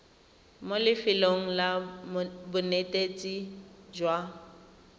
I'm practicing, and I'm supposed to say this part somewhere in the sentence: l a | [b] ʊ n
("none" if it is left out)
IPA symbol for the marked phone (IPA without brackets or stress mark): b